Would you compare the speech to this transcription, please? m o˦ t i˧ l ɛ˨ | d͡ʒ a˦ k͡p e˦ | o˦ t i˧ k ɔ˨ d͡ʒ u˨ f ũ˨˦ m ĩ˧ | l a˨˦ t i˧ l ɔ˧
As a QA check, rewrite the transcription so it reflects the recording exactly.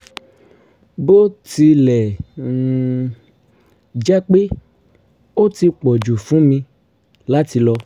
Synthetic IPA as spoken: b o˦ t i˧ l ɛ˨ | d͡ʒ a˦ k͡p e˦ | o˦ t i˧ k͡p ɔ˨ d͡ʒ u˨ f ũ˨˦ m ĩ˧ | l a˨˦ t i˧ l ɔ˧